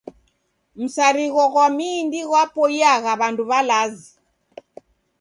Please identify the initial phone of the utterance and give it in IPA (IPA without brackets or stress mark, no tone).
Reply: m̩